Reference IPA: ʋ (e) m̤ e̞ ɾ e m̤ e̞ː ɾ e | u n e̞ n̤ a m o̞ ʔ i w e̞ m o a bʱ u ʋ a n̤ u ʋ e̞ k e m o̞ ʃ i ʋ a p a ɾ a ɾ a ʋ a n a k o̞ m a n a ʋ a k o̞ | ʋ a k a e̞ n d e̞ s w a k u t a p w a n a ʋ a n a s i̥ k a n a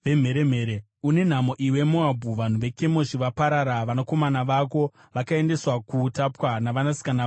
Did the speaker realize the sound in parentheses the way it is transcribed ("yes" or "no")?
yes